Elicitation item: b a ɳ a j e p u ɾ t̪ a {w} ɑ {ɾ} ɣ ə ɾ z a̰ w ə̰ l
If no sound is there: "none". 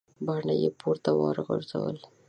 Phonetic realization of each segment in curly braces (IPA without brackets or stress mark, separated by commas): w, ɾ